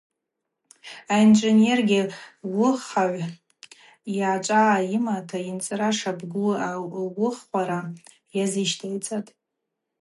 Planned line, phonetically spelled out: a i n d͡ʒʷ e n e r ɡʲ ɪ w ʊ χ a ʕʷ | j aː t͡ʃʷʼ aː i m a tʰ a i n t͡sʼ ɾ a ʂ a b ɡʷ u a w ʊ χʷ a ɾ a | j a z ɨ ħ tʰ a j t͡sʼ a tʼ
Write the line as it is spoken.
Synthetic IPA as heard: a i n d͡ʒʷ e n e r ɡʲ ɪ w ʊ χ a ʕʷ | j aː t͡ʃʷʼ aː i m a tʰ a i n t͡sʼ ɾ a ʂ a b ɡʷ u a w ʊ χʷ a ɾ a | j a z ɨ ʃ tʰ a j t͡sʼ a tʼ